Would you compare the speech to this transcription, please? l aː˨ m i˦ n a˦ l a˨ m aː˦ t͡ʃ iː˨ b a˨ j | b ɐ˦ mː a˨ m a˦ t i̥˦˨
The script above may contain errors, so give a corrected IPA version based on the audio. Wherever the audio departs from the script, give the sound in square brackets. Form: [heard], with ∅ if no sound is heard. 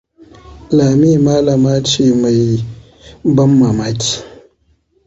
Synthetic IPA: l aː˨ m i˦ [m] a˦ l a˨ m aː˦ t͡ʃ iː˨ [m] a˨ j | b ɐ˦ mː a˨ m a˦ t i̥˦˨